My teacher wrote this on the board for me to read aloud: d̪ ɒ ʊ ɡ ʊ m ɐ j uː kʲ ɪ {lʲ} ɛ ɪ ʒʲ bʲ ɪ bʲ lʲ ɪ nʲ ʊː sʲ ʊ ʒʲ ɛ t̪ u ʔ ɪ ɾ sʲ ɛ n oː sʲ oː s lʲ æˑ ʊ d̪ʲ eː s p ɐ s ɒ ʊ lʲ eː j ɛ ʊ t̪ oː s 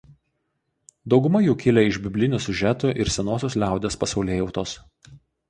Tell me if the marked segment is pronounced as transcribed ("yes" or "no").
yes